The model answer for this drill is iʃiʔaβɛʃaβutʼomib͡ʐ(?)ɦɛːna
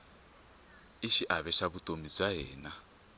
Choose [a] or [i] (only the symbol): a